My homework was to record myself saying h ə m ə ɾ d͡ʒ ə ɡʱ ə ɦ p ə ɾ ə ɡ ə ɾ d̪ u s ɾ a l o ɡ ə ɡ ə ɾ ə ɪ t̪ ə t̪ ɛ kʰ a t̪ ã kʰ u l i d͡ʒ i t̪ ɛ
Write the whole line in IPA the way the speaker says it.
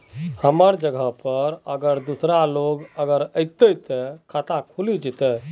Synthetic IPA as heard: h ə m ə ɾ d͡ʒ ə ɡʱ ə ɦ p ə ɾ ə ɡ ə ɾ d̪ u s ɾ a l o ɡ ə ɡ ə ɾ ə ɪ t̪ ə t̪ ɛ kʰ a t̪ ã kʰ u l i d͡ʒ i t̪ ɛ